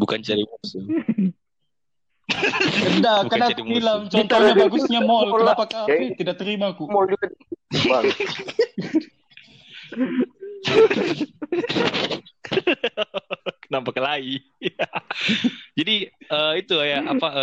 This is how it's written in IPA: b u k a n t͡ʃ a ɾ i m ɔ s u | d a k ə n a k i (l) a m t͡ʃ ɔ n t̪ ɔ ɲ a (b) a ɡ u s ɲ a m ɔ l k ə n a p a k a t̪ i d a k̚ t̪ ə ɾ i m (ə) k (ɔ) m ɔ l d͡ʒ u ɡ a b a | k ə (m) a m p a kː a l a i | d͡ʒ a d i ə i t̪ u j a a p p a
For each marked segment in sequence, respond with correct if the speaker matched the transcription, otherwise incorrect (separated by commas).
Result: correct, correct, incorrect, incorrect, incorrect